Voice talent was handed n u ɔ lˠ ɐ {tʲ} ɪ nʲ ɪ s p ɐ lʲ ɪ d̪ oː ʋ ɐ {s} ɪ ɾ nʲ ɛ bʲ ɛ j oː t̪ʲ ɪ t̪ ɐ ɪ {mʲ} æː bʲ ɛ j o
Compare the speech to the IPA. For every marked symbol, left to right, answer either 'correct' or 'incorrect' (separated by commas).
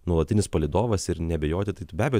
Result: correct, correct, incorrect